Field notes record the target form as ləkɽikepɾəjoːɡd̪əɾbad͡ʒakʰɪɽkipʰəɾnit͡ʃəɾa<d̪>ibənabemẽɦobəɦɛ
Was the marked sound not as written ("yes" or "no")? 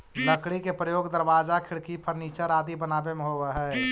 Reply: no